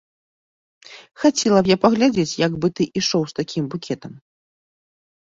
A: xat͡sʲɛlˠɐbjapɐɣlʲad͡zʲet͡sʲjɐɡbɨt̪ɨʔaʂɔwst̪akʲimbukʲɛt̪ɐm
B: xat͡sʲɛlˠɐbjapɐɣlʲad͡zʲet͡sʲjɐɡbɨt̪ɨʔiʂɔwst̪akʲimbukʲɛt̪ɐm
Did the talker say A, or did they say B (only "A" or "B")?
B